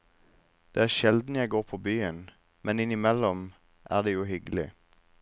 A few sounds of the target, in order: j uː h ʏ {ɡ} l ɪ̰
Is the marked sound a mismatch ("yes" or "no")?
no